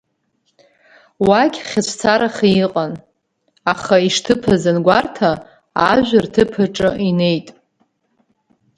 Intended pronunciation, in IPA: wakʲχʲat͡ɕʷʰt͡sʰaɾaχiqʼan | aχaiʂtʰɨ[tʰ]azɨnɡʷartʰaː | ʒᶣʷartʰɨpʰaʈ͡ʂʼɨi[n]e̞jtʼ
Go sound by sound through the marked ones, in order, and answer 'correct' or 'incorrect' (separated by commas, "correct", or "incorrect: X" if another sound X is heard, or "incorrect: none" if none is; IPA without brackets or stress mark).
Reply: incorrect: pʰ, correct